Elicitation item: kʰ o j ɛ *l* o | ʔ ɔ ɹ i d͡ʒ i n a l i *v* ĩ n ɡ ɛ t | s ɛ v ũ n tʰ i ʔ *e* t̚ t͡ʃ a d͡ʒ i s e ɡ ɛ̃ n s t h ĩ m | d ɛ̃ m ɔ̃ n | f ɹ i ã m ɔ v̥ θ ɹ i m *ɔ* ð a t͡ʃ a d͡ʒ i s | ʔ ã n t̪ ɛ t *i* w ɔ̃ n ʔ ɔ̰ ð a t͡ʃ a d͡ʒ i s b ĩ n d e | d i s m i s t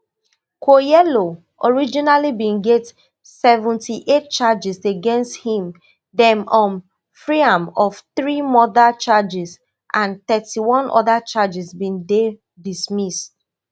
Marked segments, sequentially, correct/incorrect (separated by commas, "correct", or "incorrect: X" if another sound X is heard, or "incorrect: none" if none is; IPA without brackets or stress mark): correct, incorrect: b, correct, correct, correct